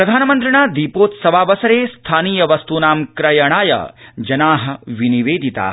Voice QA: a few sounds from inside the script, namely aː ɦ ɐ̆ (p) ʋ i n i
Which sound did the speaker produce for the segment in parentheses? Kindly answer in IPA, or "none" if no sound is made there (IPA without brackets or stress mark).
none